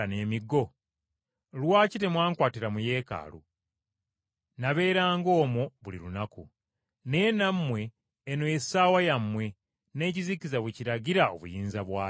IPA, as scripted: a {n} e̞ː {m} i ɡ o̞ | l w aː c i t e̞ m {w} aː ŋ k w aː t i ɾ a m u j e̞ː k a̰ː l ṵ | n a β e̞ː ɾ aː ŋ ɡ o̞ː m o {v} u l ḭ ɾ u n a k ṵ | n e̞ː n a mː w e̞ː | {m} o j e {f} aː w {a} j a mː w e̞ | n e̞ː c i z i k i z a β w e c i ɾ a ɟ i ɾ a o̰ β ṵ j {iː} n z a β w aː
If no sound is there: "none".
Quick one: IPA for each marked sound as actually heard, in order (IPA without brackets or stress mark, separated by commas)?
n, m, w, β, n, s, a, iː